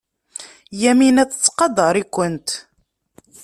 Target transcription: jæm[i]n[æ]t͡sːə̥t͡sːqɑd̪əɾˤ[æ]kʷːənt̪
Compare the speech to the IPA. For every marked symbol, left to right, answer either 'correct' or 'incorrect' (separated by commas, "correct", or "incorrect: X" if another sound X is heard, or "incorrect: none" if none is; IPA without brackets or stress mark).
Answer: correct, correct, incorrect: i